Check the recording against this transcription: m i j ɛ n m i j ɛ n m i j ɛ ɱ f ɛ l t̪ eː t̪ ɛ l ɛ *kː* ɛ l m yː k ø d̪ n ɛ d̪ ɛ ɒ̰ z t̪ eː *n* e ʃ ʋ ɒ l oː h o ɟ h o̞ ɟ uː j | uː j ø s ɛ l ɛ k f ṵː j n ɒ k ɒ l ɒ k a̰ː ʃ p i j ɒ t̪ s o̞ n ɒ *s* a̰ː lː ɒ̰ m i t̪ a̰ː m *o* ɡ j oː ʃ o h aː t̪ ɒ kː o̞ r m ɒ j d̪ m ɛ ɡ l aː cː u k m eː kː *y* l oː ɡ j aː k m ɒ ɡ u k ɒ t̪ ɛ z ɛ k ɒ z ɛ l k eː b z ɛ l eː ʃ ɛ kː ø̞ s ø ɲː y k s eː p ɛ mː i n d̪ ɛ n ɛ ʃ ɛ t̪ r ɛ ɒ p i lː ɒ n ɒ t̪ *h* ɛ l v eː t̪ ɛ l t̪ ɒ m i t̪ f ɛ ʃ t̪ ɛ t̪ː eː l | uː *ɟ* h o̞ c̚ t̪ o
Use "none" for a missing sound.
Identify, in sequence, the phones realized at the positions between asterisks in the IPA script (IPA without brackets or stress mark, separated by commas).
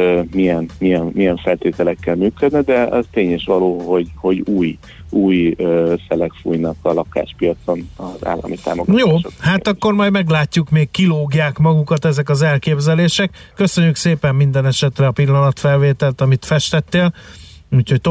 kː, ɲ, z, o, i, f, c